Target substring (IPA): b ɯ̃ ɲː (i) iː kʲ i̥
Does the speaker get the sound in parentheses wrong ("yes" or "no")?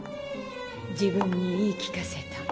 no